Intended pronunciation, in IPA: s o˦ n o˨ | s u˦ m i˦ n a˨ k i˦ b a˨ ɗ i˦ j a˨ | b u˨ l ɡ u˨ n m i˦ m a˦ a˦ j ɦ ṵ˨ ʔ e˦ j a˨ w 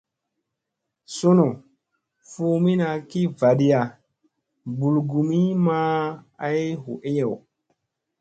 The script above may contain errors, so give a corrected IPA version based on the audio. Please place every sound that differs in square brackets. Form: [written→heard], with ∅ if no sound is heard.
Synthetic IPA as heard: s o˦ n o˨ | [s→f] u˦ m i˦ n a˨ k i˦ [b→v] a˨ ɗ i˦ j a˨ | b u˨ l ɡ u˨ [n→∅] m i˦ m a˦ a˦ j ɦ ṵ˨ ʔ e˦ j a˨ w